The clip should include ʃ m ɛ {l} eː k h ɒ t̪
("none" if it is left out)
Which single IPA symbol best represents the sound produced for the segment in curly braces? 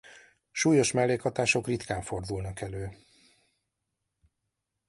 lː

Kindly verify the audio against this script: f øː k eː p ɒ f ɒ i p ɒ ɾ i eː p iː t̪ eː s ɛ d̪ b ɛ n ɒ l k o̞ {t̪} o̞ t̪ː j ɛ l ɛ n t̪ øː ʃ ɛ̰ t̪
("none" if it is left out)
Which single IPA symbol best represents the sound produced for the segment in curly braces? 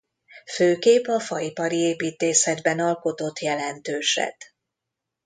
t̪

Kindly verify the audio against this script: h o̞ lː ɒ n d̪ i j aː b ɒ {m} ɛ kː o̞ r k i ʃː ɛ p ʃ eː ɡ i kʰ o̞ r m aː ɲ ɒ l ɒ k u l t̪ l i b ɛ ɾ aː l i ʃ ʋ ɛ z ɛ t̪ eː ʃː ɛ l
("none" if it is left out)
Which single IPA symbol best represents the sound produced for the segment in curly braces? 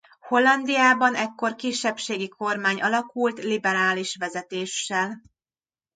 n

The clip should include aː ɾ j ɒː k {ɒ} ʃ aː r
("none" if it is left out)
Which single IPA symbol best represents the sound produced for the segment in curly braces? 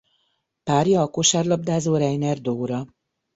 o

